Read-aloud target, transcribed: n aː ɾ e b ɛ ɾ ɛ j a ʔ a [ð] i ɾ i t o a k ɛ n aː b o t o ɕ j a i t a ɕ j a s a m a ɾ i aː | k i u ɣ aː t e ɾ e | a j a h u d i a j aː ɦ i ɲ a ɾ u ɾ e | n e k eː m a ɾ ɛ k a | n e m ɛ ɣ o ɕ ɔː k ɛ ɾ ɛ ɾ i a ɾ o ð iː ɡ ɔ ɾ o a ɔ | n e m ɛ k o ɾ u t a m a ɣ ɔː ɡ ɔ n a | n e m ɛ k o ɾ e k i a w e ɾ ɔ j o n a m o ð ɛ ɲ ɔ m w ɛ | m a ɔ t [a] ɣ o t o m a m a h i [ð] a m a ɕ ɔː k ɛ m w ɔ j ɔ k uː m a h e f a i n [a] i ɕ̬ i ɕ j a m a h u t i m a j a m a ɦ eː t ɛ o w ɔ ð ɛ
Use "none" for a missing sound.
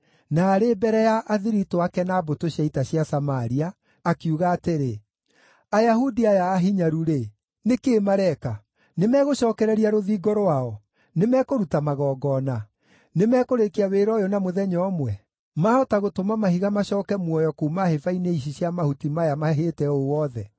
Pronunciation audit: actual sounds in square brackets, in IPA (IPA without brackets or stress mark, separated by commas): ð, a, ɣ, e